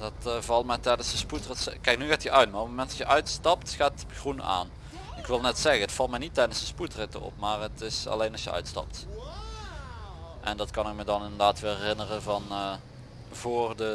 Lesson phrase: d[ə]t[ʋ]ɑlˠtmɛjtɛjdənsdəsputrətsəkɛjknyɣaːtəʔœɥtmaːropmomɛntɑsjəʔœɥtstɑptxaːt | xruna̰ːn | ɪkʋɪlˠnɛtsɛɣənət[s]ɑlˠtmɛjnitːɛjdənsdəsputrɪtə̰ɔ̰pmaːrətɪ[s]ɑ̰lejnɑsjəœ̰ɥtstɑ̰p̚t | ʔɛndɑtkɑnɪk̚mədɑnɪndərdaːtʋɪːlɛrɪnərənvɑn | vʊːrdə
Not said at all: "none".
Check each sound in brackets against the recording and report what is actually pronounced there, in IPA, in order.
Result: ɑ, v, f, s

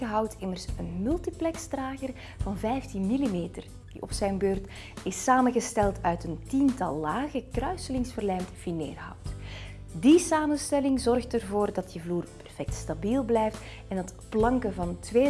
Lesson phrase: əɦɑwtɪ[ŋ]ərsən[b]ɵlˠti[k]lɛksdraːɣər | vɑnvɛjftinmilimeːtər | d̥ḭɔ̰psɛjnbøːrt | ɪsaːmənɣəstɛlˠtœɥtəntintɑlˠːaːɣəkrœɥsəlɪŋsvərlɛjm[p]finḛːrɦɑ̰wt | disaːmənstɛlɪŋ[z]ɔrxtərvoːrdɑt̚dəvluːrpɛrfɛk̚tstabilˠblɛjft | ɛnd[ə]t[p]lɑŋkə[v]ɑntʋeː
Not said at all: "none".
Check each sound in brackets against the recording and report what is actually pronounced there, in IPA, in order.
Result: m, m, p, t, z, ɑ, p, v

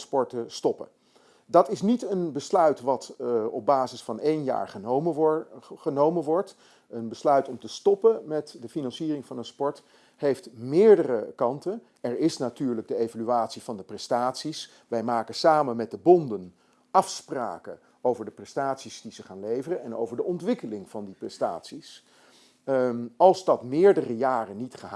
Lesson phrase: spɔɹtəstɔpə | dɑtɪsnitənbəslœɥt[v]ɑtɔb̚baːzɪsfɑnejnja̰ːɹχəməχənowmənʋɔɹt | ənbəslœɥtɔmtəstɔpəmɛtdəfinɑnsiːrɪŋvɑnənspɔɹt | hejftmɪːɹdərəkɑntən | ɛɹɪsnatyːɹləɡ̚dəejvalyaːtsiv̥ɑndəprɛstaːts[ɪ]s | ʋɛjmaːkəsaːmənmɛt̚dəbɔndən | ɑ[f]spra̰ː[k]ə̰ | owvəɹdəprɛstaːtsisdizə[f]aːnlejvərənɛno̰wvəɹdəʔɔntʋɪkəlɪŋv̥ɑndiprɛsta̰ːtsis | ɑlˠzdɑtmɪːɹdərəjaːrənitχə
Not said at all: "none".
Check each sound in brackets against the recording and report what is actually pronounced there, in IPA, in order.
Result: ʋ, i, f, k, χ

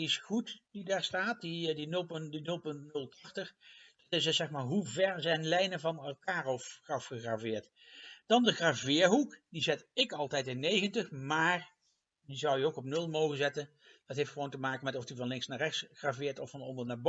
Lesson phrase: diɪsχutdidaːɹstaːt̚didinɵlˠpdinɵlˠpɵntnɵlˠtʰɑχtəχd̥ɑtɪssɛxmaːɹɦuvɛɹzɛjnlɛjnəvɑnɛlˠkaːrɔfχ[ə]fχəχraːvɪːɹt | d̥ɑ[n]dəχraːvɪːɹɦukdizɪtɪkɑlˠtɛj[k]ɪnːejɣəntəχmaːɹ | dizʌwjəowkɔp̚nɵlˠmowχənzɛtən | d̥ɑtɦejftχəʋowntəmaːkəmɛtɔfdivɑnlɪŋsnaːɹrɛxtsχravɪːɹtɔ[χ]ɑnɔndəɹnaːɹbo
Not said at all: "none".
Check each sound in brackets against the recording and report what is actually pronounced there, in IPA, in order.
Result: ɑ, n, t, f

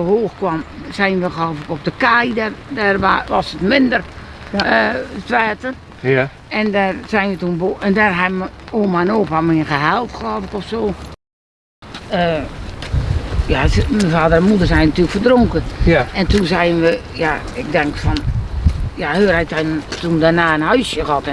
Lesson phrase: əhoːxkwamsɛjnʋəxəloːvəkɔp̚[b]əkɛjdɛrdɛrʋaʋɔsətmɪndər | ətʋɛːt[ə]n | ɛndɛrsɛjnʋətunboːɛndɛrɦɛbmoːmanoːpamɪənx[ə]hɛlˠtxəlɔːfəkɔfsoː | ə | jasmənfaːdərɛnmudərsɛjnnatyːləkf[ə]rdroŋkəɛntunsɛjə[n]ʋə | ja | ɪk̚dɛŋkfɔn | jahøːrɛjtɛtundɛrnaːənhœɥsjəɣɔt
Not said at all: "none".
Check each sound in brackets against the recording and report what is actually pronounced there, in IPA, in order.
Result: d, ə, ə, ə, n

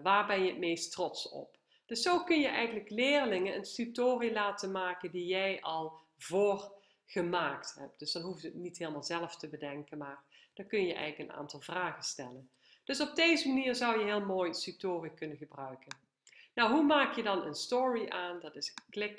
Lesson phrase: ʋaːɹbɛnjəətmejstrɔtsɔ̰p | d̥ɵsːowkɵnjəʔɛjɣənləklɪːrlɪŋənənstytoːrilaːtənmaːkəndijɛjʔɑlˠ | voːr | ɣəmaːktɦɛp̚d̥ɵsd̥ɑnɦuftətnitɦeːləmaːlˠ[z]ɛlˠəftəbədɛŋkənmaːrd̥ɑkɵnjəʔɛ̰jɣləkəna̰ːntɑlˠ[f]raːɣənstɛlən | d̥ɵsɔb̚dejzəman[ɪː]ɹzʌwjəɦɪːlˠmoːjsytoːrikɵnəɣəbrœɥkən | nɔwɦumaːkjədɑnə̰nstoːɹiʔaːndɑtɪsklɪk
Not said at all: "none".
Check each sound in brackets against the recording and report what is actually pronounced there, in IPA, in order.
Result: z, v, iː

